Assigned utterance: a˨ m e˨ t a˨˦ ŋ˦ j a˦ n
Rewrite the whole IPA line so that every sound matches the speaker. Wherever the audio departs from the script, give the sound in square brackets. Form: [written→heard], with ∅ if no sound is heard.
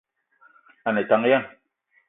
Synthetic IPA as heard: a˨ [m→n] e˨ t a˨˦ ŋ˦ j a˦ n